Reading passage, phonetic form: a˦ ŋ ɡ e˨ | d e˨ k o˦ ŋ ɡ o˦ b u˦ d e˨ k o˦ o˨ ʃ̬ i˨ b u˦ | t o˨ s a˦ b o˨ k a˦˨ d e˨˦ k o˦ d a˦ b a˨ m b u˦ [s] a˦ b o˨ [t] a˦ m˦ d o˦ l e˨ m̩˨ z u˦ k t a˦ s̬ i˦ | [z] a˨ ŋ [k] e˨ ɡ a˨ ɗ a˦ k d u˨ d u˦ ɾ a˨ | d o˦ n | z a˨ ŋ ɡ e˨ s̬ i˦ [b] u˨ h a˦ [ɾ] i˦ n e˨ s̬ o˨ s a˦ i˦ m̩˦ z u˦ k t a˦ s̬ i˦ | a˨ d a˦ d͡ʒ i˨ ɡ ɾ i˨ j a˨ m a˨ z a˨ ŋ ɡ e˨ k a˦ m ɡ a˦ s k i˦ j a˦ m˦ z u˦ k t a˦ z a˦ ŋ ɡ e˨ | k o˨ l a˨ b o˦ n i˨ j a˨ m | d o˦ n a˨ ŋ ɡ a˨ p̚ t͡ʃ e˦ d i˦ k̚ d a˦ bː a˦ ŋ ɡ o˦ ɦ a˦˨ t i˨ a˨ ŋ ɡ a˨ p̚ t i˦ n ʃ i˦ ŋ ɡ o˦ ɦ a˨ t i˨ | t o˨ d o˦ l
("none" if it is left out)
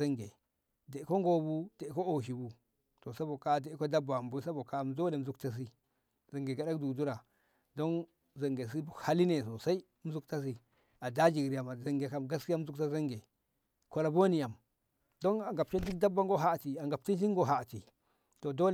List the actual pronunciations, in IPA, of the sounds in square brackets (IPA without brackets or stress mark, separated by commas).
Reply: s, k, z, ɡ, b, l